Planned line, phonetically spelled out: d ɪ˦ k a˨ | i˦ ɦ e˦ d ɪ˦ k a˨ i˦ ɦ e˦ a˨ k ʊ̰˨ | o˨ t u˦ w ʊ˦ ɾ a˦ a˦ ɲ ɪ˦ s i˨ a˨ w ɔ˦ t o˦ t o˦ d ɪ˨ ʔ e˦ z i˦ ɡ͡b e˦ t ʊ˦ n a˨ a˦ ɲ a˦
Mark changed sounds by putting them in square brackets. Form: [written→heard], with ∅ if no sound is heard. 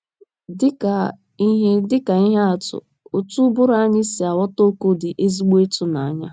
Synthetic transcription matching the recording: d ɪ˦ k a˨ | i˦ ɦ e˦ d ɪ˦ k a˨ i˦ ɦ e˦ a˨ [k→t] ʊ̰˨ | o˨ t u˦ [w→b] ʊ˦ ɾ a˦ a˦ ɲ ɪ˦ s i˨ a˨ w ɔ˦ t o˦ [t→k] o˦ d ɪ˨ ʔ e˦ z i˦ ɡ͡b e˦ t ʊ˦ n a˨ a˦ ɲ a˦